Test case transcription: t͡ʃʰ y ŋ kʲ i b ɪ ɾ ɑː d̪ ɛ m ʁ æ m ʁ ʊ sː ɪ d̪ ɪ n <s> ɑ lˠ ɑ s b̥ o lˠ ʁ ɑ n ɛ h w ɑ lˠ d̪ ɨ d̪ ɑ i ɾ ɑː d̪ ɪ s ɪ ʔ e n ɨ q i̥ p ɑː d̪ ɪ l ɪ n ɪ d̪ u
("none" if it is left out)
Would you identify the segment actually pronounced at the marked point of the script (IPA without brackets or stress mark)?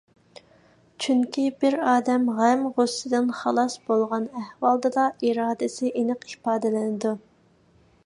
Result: χ